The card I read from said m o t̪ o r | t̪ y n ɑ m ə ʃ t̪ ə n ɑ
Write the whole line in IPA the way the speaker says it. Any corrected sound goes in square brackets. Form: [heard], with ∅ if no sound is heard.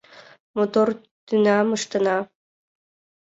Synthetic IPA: m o t̪ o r | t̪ y n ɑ m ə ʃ t̪ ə n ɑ